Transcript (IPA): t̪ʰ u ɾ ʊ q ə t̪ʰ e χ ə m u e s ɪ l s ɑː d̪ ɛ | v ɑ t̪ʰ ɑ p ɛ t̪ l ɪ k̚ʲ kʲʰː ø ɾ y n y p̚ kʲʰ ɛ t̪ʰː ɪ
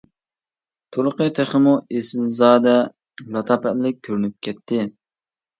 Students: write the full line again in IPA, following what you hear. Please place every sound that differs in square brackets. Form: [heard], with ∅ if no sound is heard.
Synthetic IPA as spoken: t̪ʰ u ɾ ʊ q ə t̪ʰ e χ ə m u e s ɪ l [z] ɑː d̪ ɛ | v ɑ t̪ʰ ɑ p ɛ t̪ l ɪ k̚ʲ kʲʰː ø ɾ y n y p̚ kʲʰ ɛ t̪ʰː ɪ